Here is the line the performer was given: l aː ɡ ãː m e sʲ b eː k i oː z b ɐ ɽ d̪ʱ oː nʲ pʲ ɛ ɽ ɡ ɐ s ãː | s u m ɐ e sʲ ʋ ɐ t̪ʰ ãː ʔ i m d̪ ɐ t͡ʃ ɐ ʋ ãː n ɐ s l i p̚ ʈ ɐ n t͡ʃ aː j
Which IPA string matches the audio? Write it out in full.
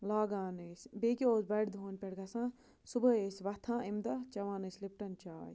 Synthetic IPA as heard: l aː ɡ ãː n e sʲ b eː k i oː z b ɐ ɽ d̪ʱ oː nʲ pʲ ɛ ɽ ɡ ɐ s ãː | s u b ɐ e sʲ ʋ ɐ t̪ʰ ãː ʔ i m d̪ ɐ t͡ʃ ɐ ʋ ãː n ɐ s l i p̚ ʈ ɐ n t͡ʃ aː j